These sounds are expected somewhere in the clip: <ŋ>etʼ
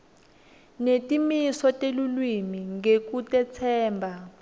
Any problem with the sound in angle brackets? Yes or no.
yes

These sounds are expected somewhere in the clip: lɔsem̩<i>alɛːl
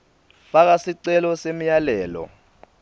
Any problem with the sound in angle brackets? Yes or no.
yes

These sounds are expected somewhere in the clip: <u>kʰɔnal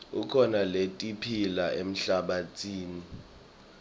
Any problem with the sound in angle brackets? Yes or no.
no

